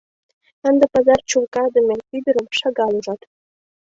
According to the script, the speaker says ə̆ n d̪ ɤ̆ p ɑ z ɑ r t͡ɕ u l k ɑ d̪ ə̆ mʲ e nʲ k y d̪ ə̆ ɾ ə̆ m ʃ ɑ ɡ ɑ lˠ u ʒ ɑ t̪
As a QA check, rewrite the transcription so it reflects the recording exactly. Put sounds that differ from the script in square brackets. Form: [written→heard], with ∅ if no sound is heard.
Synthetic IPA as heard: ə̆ n d̪ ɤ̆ p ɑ z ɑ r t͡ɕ u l k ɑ d̪ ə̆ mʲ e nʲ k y d̪ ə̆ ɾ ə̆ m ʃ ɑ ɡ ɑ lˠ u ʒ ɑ t̪